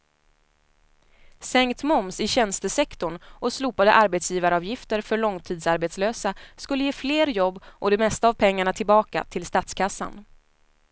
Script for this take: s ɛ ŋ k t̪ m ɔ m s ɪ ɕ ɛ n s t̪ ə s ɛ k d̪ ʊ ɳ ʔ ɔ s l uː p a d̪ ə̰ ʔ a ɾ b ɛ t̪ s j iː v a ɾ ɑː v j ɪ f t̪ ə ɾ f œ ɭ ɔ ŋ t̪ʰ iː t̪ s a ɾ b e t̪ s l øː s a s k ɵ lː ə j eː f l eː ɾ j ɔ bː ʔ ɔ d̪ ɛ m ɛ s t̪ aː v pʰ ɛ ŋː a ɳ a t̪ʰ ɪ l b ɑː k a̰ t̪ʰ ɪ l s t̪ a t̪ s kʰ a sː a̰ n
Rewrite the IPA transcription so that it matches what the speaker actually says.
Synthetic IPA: s ɛ ŋ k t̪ m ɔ m s ɪ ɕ ɛ n s t̪ ə s ɛ k t̪ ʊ ɳ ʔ ɔ s l uː p a d̪ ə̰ ʔ a ɾ b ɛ t̪ s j iː v a ɾ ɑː v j ɪ f t̪ ə ɾ f œ ɭ ɔ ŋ t̪ʰ iː d̪ s a ɾ b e t̪ s l øː s a s k ɵ lː ə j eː f l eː ɾ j ɔ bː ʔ ɔ d̪ ɛ m ɛ s t̪ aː v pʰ ɛ ŋː a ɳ a t̪ʰ ɪ l b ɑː k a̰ t̪ʰ ɪ l s t̪ a t̪ s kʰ a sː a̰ n